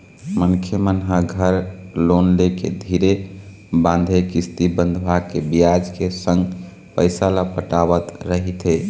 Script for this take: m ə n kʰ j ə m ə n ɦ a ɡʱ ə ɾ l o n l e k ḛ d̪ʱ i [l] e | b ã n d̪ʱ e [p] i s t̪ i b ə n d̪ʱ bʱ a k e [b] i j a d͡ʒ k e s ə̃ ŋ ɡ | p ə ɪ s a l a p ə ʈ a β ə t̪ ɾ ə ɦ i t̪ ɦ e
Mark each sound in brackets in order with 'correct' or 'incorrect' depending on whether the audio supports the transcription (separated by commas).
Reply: incorrect, incorrect, correct